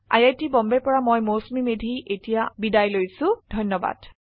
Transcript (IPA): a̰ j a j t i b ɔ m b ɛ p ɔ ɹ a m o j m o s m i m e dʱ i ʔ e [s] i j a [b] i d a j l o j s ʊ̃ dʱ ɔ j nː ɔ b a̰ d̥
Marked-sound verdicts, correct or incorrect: incorrect, correct

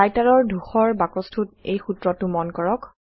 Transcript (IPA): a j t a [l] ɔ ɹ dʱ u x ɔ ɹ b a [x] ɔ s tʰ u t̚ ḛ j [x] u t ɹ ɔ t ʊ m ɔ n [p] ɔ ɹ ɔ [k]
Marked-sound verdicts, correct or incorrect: incorrect, incorrect, correct, incorrect, correct

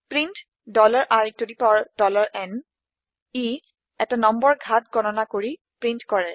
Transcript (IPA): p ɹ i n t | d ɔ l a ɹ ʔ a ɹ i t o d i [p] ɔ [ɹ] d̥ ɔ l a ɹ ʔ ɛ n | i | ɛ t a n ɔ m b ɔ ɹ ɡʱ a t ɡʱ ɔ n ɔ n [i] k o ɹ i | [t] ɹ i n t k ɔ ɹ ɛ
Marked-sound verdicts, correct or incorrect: correct, correct, incorrect, incorrect

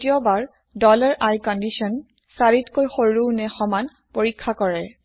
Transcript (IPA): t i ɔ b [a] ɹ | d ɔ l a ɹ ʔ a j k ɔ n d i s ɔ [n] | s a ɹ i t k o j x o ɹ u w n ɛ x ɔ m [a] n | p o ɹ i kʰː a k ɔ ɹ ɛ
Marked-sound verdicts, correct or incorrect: correct, correct, correct

